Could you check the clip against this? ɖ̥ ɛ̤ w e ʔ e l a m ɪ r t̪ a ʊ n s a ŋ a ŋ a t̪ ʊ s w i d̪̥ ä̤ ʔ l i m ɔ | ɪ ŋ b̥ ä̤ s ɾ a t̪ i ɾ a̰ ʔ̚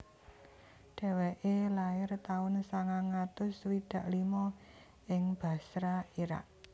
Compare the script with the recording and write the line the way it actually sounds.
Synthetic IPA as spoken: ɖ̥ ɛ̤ w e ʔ e l a ɪ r t̪ a ʊ n s a ŋ a ŋ a t̪ ʊ s w i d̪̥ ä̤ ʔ l i m ɔ | ɪ ŋ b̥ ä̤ s ɾ a i ɾ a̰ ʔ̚